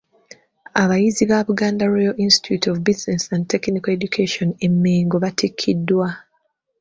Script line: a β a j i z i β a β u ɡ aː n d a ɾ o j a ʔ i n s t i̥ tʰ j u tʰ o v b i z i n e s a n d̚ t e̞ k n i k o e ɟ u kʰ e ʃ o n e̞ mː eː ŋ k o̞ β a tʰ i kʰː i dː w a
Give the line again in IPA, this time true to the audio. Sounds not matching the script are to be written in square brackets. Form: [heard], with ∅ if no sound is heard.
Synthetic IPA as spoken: a β a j i z i β a β u ɡ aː n d a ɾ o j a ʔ i n s t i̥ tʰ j u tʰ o v b i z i n e s a n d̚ t e̞ k n i k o e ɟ u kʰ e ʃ o n e̞ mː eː ŋ [ɡ] o̞ β a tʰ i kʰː i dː w a